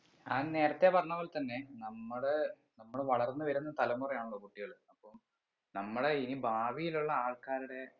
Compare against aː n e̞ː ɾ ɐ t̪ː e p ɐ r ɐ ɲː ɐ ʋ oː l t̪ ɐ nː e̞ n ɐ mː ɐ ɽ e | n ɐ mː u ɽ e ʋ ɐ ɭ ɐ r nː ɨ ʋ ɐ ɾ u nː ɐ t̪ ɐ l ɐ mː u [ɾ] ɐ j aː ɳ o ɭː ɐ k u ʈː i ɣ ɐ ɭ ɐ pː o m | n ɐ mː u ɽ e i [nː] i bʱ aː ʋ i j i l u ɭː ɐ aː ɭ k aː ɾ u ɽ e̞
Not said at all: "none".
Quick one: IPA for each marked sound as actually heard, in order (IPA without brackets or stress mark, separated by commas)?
r, n